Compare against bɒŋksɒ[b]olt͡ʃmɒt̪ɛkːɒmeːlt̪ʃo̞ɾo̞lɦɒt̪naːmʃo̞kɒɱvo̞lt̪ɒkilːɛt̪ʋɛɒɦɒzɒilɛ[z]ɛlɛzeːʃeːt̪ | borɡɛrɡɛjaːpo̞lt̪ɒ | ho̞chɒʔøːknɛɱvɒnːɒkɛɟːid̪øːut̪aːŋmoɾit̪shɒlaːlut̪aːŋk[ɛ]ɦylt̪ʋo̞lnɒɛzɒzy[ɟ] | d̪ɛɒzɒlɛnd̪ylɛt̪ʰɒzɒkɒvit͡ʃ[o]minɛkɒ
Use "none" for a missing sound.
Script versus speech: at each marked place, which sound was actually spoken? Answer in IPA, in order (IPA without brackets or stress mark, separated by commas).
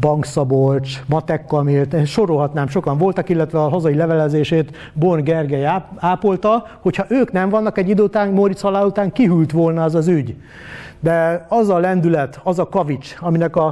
b, v, i, ɟ, ɒ